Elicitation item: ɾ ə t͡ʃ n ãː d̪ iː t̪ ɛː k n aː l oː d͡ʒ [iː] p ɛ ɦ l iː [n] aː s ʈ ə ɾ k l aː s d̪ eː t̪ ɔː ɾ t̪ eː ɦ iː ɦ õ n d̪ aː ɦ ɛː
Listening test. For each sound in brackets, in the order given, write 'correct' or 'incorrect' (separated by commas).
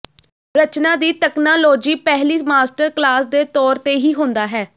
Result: correct, incorrect